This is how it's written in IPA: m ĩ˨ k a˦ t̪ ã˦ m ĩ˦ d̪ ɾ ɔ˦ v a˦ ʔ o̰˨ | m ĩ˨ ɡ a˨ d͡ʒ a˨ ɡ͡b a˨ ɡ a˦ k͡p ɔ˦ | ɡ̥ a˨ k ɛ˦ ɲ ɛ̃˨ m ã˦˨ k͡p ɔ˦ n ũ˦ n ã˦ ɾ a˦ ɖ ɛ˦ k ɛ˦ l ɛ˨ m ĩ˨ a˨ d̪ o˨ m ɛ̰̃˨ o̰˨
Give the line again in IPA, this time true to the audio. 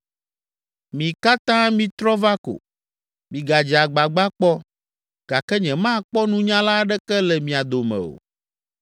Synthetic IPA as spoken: m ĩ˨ k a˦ t̪ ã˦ m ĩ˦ t̪ ɾ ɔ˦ v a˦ k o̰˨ | m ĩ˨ ɡ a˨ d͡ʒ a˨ ɡ͡b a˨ ɡ͡b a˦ k͡p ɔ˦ | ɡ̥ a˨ k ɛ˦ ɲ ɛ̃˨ m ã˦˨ k͡p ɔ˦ n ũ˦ ɲ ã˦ l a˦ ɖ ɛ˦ k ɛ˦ l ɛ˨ m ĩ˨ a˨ d̪ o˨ m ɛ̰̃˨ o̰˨

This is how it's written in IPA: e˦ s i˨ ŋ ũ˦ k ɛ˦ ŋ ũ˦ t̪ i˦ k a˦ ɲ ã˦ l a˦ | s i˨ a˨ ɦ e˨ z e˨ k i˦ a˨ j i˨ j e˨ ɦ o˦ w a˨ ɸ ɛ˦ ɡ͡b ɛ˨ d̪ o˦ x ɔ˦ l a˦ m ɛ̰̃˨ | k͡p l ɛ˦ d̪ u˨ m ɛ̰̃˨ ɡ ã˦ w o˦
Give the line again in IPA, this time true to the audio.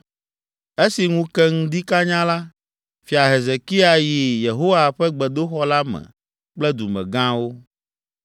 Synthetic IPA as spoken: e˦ s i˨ ŋ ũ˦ k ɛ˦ ŋ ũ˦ d̪ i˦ k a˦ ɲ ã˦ l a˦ | f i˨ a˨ ɦ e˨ z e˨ k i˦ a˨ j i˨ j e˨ ɦ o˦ w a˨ ɸ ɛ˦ ɡ͡b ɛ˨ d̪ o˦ x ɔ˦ l a˦ m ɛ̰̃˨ | k͡p l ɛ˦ d̪ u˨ m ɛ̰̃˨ ɡ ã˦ w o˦

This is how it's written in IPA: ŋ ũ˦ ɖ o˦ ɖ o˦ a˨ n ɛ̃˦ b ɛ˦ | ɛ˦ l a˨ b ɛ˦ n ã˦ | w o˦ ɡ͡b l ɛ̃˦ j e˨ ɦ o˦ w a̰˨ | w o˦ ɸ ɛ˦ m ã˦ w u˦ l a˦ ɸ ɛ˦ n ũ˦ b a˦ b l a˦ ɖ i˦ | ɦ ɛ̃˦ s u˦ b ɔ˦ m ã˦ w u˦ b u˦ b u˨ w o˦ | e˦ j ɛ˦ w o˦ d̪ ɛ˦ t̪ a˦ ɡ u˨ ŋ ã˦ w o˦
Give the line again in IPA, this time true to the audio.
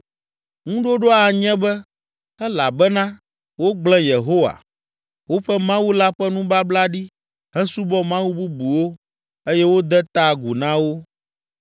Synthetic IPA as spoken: ŋ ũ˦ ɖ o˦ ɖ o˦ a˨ ɲ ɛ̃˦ b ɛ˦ | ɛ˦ l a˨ b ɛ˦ n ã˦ | w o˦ ɡ͡b l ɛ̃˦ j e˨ ɦ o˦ w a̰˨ | w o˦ ɸ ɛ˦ m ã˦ w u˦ l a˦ ɸ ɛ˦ n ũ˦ b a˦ b l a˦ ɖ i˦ | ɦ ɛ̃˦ s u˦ b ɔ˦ m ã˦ w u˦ b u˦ b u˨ w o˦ | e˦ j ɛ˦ w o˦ d̪ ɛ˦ t̪ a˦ ɡ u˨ n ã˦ w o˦

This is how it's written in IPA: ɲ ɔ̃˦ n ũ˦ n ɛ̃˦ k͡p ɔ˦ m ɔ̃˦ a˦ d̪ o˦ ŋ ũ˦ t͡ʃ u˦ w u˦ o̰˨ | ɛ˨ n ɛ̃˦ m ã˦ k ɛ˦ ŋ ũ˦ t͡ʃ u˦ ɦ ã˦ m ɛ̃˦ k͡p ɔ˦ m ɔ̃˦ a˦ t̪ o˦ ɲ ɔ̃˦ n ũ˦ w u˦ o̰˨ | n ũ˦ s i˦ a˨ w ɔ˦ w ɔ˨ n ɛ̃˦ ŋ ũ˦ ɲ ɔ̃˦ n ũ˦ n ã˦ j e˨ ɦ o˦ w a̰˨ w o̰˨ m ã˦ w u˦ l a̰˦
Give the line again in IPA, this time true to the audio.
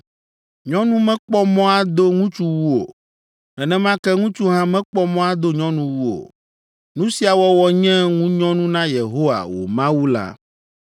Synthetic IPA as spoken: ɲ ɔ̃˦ n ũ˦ m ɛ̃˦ k͡p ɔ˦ m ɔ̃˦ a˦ d̪ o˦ ŋ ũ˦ t͡ʃ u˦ w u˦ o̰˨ | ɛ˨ n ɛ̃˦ m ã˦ k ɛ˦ ŋ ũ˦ t͡ʃ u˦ ɦ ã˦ m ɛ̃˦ k͡p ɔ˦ m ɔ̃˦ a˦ d̪ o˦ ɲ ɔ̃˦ n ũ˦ w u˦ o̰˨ | n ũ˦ s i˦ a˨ w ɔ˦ w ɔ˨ ɲ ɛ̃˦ ŋ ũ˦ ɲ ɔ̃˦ n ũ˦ n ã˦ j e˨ ɦ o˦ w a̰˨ w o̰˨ m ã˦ w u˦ l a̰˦

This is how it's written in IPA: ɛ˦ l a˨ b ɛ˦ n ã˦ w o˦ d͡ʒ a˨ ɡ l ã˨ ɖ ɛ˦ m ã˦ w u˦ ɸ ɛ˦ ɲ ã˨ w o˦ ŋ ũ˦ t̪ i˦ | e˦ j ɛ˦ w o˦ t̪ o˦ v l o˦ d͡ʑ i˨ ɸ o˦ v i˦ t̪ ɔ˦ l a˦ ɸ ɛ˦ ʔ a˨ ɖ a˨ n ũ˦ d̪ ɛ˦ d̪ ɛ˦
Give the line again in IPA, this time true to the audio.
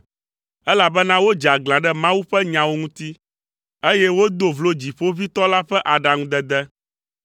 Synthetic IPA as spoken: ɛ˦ l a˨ b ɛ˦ n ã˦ w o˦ d͡ʒ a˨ ɡ l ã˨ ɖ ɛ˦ m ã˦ w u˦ ɸ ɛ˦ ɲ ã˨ w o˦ ŋ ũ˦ t̪ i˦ | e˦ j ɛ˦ w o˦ d̪ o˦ v l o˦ d͡ʑ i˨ ɸ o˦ v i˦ t̪ ɔ˦ l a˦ ɸ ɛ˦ ʔ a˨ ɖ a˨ ŋ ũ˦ d̪ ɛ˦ d̪ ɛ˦

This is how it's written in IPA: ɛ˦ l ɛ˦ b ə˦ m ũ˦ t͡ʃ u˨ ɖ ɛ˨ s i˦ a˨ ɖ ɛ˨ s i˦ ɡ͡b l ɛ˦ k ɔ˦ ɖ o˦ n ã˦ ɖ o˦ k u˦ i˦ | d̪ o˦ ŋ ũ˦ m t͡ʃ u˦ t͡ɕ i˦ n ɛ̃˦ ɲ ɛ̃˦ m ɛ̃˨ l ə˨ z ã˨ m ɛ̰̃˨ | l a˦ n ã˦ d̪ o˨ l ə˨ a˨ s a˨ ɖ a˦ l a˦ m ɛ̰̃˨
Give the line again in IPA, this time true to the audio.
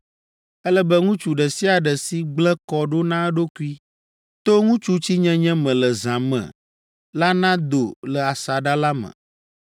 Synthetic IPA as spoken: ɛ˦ l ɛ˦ b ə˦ ŋ ũ˦ t͡ʃ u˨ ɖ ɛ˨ s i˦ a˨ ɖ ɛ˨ s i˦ ɡ͡b l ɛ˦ k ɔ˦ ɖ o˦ n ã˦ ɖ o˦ k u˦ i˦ | t̪ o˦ ŋ ũ˦ t͡ʃ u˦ t͡ɕ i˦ ɲ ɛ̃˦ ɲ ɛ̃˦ m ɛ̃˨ l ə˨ z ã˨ m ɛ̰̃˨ | l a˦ n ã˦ d̪ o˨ l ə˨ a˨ s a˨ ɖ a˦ l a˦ m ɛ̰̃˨

